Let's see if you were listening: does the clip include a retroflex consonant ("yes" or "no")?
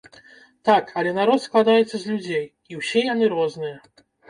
no